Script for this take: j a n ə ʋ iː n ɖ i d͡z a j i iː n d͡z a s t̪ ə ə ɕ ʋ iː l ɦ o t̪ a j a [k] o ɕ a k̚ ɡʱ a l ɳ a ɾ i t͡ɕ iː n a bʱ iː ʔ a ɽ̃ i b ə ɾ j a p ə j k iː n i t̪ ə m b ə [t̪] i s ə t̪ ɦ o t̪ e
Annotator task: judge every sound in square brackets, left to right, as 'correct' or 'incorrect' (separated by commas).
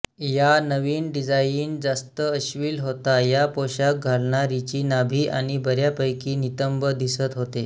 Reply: incorrect, incorrect